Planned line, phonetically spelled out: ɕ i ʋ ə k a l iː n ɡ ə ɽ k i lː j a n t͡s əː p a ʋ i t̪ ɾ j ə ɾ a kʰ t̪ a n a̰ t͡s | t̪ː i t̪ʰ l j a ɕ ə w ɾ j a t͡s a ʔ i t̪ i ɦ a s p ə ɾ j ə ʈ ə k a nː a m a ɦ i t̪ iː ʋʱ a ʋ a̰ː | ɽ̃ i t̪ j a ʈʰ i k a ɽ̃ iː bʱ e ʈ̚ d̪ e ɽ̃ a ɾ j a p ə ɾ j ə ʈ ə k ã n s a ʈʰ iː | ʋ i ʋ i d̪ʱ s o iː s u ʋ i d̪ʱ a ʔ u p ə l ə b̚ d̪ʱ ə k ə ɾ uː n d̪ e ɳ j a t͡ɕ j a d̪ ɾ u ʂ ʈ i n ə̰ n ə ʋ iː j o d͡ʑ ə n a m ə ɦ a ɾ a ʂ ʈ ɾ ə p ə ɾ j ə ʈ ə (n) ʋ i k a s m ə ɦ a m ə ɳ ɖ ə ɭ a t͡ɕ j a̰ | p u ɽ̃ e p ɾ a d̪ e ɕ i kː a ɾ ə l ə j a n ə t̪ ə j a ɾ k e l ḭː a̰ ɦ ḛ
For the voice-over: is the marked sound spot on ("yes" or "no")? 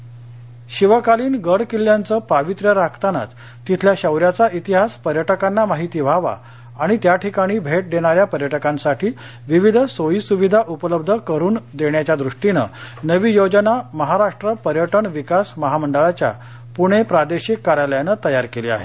no